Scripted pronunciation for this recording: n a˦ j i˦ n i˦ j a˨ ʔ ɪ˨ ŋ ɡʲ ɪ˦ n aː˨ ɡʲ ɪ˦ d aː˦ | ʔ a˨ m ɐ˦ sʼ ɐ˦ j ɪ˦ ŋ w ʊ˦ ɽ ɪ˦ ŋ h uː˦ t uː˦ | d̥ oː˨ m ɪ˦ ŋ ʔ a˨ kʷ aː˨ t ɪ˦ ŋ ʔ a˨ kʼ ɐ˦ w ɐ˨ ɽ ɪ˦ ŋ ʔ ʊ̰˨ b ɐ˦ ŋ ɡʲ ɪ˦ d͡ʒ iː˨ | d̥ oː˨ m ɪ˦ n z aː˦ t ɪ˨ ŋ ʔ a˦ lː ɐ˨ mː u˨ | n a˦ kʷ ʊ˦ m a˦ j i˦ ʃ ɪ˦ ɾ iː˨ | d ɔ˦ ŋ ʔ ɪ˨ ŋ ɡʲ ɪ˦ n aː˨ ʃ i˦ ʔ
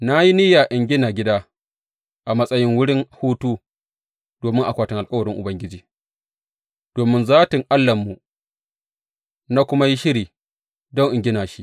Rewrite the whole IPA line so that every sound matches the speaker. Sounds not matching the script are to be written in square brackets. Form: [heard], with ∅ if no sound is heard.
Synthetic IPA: n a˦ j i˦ n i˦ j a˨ ʔ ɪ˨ ŋ ɡʲ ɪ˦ n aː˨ ɡʲ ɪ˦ d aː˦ | ʔ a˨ m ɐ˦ sʼ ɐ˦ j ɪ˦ ŋ w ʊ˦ ɽ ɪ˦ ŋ h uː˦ t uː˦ | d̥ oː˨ m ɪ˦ ŋ ʔ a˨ kʷ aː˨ t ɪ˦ ŋ ʔ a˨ kʼ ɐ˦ w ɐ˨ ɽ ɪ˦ ŋ ʔ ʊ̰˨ b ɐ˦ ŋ ɡʲ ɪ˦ d͡ʒ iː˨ | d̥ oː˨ m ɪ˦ n z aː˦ t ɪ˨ ŋ ʔ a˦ lː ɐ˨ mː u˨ | n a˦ kʷ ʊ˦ m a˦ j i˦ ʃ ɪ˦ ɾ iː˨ | d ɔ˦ ŋ ʔ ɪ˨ ŋ ɡʲ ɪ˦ n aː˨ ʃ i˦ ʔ